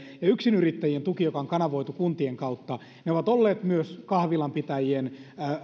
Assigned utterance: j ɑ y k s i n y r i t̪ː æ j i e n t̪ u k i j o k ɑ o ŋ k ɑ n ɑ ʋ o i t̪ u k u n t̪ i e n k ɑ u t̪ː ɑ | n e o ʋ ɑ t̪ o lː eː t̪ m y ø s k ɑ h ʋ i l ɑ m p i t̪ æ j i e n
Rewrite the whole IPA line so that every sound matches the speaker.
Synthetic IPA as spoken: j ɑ y k s i n y r i t̪ː æ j i e n t̪ u k i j o k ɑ o ŋ k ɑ n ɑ ʋ o i t̪ u k u n t̪ i e ŋ k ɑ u t̪ː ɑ | n e o ʋ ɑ t̪ o lː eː t̪ m y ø s k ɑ h ʋ i l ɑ m p i t̪ æ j i e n